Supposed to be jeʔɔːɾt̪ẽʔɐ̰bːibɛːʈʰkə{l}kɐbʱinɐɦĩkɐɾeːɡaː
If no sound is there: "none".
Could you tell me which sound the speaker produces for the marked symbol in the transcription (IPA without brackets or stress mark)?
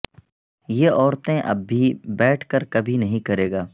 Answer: ɾ